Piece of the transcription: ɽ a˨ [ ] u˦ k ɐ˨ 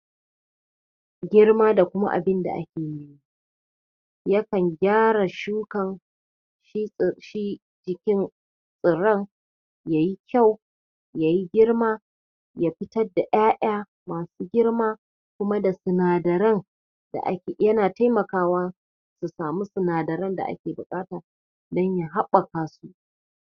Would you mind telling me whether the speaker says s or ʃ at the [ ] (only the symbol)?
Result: ʃ